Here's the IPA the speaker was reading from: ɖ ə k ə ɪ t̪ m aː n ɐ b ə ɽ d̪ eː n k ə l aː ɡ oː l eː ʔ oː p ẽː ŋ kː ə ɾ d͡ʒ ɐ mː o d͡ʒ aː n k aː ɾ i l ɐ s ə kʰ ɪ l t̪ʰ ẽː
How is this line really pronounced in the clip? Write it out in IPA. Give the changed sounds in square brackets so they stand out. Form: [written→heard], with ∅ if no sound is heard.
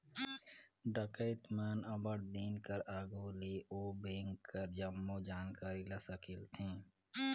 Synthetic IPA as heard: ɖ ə k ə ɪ t̪ m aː n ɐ b ə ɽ d̪ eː n k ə [l→ɾ] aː ɡ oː l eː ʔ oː [p→b] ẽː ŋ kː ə ɾ d͡ʒ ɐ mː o d͡ʒ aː n k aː ɾ i l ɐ s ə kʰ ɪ l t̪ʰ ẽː